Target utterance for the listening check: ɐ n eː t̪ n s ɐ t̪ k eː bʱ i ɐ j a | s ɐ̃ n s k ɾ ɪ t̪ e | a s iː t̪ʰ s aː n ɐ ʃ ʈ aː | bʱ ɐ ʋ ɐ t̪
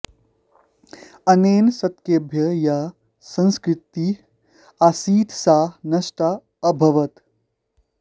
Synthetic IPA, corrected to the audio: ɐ n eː n s ɐ t̪ k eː bʱ j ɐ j a | s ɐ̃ n s k ɾ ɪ t̪ i | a s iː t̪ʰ s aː n ɐ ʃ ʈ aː | bʱ ɐ ʋ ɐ t̪